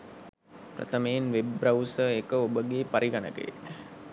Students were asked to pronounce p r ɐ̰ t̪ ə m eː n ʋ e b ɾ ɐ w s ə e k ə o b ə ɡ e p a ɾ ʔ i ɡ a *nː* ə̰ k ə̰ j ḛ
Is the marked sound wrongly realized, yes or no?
yes